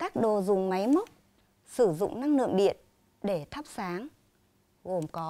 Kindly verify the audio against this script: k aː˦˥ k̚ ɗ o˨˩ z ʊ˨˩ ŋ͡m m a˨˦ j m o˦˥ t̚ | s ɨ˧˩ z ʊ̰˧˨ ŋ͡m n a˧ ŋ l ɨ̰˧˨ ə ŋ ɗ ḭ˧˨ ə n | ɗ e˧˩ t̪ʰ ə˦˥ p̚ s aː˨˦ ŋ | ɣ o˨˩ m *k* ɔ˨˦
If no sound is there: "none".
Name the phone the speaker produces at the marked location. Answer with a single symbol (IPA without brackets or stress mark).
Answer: k